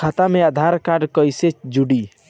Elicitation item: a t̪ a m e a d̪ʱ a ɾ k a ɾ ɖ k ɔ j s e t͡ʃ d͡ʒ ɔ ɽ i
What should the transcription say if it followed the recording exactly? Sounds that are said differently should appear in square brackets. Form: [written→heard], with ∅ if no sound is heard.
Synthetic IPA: a t̪ a m e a d̪ʱ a ɾ k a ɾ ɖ k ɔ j s e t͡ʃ d͡ʒ [ɔ→u] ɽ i